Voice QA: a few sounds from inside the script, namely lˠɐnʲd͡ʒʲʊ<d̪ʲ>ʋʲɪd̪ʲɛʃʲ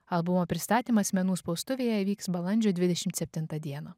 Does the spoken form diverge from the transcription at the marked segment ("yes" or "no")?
no